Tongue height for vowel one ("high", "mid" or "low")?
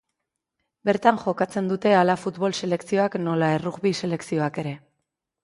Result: mid